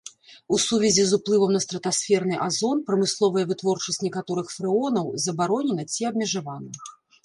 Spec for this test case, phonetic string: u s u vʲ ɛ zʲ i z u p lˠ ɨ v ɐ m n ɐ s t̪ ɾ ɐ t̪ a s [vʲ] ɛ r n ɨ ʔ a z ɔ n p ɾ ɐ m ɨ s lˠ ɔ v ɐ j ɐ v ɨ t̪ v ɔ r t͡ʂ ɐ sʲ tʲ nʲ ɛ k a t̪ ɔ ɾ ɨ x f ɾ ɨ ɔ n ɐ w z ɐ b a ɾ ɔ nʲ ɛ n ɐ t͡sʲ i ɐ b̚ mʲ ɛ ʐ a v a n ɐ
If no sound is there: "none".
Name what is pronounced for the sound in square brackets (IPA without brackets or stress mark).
fʲ